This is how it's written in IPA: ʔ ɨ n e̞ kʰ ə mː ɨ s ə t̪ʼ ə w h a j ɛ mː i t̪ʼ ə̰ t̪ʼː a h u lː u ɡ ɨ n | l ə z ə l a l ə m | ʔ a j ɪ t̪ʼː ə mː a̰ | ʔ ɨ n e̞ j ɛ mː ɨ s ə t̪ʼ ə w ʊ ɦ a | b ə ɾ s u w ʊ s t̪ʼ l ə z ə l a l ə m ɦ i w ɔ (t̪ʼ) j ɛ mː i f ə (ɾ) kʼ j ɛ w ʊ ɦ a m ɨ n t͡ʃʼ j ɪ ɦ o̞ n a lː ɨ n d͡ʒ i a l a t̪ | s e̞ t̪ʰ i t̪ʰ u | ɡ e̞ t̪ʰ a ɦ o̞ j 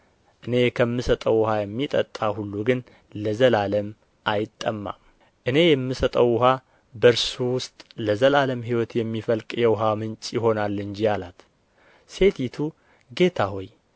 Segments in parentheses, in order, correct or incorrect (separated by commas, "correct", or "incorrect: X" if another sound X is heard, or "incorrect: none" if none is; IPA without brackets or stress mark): incorrect: t̪, incorrect: l